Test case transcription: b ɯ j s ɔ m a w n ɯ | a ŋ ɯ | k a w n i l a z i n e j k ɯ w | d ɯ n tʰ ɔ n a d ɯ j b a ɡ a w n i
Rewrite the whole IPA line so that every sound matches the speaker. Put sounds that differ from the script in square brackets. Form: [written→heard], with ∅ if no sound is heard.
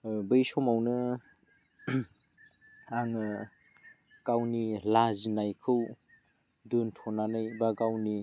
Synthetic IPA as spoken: b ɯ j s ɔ m a w n ɯ | a ŋ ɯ | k a w n i l a z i n [e→a] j [k→kʰ] ɯ w | d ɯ n tʰ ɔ n a [d→n] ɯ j b a ɡ a w n i

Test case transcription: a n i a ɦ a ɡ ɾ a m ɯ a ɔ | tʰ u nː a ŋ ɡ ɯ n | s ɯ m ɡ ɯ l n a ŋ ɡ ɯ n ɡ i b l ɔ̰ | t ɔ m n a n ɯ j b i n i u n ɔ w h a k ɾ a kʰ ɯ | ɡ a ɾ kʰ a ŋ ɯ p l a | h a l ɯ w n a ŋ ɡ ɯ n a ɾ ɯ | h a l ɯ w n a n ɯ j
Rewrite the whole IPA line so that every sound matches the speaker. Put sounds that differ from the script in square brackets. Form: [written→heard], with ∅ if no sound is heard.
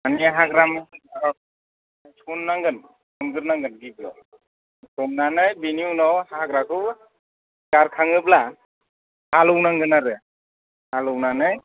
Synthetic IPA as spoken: a n i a ɦ a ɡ ɾ a m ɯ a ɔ | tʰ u nː a ŋ ɡ ɯ n | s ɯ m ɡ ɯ [l→ɾ] n a ŋ ɡ ɯ n ɡ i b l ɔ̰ | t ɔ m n a n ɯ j b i n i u n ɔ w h a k ɾ a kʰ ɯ | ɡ a ɾ kʰ a ŋ ɯ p l a | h a l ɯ w n a ŋ ɡ ɯ n a ɾ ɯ | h a l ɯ w n a n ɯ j

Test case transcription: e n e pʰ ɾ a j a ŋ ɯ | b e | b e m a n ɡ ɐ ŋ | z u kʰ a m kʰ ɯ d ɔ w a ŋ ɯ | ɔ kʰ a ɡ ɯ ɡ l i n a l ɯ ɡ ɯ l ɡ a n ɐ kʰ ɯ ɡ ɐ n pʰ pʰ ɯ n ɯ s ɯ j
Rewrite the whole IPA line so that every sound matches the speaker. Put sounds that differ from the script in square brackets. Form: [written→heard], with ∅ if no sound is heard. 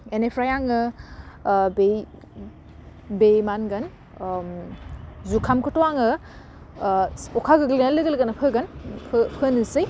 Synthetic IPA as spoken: e n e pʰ ɾ a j a ŋ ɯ | b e | b e m a n ɡ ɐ [ŋ→n] | z u kʰ a m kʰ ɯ [d→t] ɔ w a ŋ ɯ | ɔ kʰ a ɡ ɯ ɡ l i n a l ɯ ɡ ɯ l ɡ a n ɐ [kʰ→pʰ] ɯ ɡ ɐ n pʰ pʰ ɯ n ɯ s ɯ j

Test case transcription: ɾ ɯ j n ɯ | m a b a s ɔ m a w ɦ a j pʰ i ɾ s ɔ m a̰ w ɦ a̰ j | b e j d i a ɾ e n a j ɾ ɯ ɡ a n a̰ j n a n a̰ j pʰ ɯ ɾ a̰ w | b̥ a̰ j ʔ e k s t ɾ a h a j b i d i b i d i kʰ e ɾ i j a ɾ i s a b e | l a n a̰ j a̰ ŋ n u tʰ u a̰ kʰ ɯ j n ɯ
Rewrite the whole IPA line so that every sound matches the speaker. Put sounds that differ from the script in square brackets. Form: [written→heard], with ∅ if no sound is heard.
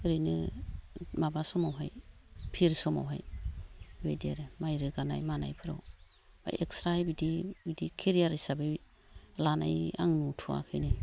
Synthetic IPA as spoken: ɾ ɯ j n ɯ | m a b a s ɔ m a w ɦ a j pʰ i ɾ s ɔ m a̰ w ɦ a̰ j | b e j d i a ɾ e [n→m] a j ɾ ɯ ɡ a n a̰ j [n→m] a n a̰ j pʰ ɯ ɾ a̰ w | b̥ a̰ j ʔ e k s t ɾ a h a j b i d i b i d i kʰ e ɾ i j a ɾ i s a b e | l a n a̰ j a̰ ŋ n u tʰ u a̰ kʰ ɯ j n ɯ

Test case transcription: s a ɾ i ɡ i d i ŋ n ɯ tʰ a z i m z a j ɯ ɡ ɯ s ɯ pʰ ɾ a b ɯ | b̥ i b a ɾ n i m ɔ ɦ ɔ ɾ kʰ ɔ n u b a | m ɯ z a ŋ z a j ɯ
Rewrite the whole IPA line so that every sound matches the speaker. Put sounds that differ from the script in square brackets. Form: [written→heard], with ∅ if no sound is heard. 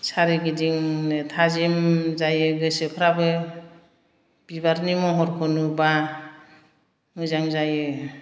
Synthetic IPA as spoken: s a ɾ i ɡ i d i ŋ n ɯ tʰ a z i m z a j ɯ ɡ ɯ s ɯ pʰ ɾ a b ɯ | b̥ i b a ɾ n i m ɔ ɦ ɔ ɾ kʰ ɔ n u b a | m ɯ z a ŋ z a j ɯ

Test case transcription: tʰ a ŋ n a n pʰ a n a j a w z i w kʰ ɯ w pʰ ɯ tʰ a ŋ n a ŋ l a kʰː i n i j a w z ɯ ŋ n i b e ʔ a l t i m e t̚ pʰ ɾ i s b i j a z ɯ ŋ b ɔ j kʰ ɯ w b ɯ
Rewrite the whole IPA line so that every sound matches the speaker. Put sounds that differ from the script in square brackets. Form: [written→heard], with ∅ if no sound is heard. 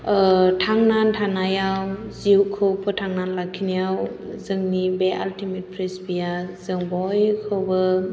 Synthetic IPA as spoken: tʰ a ŋ n a n [pʰ→tʰ] a n a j a w z i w kʰ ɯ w pʰ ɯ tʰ a ŋ n a [ŋ→n] l a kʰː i n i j a w z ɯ ŋ n i b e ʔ a l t i m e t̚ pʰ ɾ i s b i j a z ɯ ŋ b ɔ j kʰ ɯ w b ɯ

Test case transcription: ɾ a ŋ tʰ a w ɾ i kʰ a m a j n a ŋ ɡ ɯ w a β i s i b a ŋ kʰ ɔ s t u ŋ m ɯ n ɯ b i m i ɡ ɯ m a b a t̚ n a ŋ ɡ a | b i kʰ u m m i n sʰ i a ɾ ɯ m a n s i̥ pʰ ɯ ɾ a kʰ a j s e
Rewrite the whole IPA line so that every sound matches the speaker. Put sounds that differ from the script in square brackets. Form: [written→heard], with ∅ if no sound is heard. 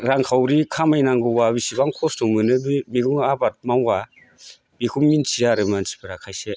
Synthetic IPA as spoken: ɾ a ŋ [tʰ→kʰ] a w ɾ i kʰ a m a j n a ŋ ɡ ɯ w a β i s i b a ŋ kʰ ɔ s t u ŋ m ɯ n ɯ b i m i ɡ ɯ [m→ŋ] a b a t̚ [n→m] a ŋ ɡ a | b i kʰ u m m i n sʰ i a ɾ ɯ m a n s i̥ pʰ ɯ ɾ a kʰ a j s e

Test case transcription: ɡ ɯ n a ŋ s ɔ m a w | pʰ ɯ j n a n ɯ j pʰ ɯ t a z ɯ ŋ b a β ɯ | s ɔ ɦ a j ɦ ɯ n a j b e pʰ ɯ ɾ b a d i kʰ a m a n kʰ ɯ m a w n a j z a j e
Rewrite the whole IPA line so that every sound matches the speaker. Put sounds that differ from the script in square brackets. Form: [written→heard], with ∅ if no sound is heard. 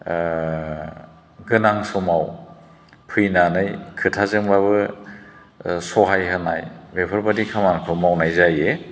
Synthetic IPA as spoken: ɡ ɯ n a ŋ s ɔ m a w | pʰ ɯ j n a n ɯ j [pʰ→kʰ] ɯ [t→tʰ] a z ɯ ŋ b a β ɯ | s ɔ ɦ a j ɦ ɯ n a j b e pʰ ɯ ɾ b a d i kʰ a m a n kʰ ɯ m a w n a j z a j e

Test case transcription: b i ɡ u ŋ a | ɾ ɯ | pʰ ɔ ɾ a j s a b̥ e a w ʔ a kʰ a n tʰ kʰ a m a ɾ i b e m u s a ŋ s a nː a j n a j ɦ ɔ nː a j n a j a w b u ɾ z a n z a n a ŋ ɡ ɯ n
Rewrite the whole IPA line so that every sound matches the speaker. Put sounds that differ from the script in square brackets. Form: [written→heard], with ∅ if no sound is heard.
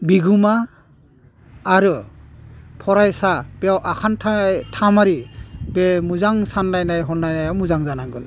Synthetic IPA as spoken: b i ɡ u [ŋ→m] a | ɾ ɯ | pʰ ɔ ɾ a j s a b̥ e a w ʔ a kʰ a n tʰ [kʰ→tʰ] a m a ɾ i b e m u [s→z] a ŋ s a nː a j n a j ɦ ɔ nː a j n a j a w [b→m] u [ɾ→∅] z a [n→ŋ] z a n a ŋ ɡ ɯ n

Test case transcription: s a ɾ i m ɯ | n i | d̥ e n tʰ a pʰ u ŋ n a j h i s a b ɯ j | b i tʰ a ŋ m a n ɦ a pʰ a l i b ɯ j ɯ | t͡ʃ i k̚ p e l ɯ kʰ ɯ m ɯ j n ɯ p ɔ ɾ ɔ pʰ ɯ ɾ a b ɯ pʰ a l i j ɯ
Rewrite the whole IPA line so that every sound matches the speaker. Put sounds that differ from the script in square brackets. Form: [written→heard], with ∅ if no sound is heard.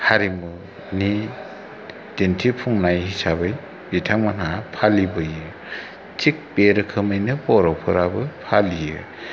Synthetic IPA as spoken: [s→h] a ɾ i m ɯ | n i | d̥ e n tʰ [a→i] pʰ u ŋ n a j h i s a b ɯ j | b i tʰ a ŋ m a n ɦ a pʰ a l i b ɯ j ɯ | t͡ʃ i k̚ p e [l→ɾ] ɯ kʰ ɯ m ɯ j n ɯ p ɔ ɾ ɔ pʰ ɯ ɾ a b ɯ pʰ a l i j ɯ

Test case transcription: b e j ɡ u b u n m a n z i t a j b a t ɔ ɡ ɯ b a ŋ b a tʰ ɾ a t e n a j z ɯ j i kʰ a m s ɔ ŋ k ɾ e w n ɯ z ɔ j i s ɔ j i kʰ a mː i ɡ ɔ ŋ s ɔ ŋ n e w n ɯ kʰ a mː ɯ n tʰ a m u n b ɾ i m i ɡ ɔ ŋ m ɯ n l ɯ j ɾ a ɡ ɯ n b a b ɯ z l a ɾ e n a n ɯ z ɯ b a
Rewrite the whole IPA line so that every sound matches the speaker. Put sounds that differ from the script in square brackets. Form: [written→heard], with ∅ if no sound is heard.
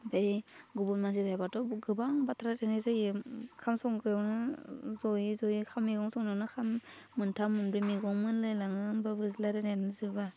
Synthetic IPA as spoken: b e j ɡ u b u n m a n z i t a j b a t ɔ ɡ ɯ b a ŋ b a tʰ ɾ a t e n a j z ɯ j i kʰ a m s ɔ ŋ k ɾ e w n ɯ z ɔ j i [s→z] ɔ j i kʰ a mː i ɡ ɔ ŋ s ɔ ŋ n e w n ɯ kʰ a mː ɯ n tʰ a m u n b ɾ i m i ɡ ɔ ŋ m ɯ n l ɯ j [ɾ→l] a [ɡ→ŋ] ɯ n b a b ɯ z l a ɾ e n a n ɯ z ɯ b a

